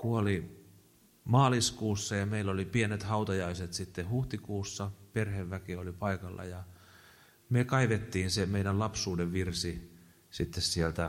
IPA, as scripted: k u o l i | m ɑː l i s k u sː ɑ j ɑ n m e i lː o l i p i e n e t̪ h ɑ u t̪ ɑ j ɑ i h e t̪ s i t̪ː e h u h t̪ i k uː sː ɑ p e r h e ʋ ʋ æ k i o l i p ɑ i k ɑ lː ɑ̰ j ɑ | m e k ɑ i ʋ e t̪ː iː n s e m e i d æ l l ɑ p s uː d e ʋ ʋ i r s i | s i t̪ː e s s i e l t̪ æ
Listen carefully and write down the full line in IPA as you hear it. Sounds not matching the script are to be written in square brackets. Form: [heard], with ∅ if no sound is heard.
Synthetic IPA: k u o l i | m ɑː l i s k [uː] sː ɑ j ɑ [∅] m e i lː o l i p i e n e t̪ h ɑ u t̪ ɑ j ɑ i [s] e t̪ s i t̪ː e h u h t̪ i k uː sː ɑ p e r h e ʋ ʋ æ k i o l i p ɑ i k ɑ lː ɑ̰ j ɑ | m e k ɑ i ʋ e t̪ː iː n s e m e i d æ l l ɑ p s uː d e ʋ ʋ i r s i | s i t̪ː e s s i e l t̪ æ